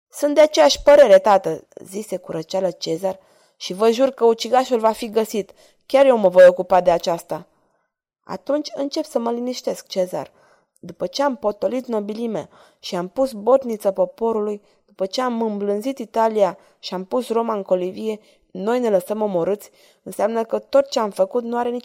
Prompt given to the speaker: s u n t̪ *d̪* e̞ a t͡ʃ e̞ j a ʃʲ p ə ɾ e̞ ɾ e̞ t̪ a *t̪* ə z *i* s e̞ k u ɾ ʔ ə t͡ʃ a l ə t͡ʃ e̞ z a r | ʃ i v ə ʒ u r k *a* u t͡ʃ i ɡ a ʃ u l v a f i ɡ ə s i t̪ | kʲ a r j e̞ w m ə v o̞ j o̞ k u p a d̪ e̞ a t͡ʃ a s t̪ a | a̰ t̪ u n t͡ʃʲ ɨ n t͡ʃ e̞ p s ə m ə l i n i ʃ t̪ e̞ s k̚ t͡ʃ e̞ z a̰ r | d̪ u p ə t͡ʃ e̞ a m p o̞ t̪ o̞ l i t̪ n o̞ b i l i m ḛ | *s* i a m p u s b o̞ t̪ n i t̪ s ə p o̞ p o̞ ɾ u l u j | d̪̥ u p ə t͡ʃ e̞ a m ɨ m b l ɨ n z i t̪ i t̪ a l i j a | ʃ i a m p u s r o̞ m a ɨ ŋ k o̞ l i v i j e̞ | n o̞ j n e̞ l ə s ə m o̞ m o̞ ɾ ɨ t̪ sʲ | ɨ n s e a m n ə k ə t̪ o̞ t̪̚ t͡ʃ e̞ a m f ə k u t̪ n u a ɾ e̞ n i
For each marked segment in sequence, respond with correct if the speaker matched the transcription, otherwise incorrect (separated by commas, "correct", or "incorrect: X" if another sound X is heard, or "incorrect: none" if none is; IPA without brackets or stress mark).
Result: correct, correct, correct, incorrect: ə, incorrect: ʃ